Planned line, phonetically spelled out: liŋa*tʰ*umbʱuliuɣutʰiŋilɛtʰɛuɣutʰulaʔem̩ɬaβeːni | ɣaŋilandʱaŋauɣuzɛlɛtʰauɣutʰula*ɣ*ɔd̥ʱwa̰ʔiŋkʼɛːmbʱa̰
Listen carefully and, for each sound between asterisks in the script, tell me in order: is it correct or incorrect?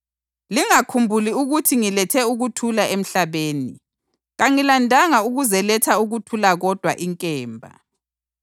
incorrect: kʰ, correct

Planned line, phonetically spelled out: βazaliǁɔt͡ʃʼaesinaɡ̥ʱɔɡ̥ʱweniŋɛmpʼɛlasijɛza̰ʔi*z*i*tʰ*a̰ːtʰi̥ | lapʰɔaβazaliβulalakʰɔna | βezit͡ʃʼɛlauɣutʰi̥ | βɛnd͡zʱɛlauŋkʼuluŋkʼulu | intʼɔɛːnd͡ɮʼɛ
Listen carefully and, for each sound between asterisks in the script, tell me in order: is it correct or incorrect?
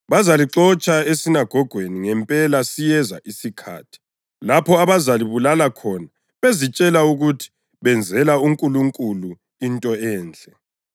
incorrect: s, incorrect: kʰ

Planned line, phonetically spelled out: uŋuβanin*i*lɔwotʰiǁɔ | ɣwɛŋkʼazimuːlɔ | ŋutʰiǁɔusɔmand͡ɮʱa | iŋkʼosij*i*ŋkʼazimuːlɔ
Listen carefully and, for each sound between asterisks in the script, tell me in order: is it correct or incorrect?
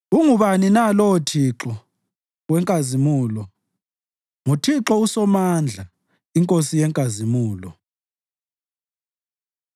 incorrect: a, incorrect: ɛ

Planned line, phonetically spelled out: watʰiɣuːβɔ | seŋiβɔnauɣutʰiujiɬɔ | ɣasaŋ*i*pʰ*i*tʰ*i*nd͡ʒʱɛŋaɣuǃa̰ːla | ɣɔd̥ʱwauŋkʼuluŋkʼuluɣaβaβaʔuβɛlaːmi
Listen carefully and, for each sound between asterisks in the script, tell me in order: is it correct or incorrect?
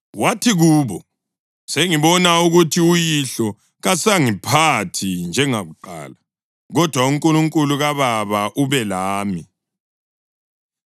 correct, incorrect: a, correct

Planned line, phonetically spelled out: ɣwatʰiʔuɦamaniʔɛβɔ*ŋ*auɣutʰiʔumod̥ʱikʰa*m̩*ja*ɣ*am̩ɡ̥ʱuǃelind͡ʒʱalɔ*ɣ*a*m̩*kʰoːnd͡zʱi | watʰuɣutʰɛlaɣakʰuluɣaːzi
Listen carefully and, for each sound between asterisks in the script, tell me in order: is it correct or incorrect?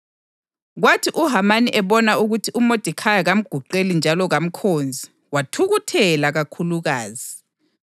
incorrect: n, incorrect: none, correct, correct, correct

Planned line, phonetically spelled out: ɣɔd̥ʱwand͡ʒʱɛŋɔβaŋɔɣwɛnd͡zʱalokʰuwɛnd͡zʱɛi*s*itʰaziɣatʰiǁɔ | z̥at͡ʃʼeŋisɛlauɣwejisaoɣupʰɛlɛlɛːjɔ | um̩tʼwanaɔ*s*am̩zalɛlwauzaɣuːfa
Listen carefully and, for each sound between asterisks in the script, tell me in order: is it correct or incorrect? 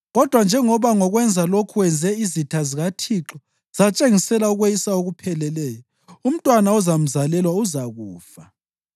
incorrect: z, incorrect: z

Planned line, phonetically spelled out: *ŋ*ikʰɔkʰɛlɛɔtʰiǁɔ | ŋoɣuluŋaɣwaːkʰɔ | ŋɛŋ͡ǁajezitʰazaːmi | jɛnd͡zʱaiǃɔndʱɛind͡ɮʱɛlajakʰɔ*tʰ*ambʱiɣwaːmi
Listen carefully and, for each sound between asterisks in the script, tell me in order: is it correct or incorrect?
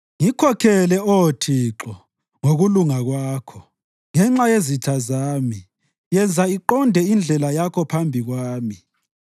correct, incorrect: pʰ

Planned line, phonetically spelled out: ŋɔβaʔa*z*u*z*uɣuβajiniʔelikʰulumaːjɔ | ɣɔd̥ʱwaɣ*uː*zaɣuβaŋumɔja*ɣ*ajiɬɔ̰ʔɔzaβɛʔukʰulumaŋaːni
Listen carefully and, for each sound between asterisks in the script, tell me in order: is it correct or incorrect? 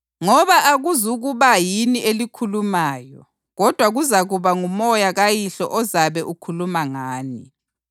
incorrect: ɣ, correct, incorrect: u, correct

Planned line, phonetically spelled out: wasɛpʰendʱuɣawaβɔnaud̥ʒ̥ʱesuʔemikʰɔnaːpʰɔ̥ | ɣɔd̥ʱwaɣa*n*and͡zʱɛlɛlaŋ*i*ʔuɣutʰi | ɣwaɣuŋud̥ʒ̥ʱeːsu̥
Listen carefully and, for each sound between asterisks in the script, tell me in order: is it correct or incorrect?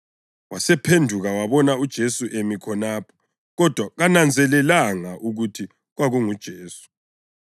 correct, incorrect: a

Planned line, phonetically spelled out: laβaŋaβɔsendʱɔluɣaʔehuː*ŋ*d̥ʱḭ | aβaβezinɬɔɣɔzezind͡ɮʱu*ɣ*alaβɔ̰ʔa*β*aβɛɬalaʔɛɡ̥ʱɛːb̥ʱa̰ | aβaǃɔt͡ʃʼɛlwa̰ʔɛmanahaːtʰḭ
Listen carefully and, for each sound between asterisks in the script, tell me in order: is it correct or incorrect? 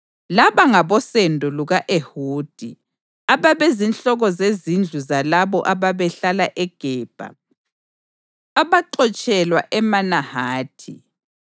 incorrect: none, incorrect: z, correct

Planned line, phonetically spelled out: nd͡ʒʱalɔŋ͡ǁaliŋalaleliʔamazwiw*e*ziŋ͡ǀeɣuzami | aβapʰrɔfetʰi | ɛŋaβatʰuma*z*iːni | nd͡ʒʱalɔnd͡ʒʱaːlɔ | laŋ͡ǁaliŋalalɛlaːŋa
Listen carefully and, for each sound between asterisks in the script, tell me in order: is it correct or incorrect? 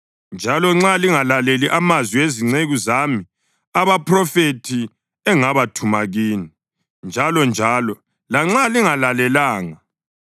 correct, incorrect: ɣ

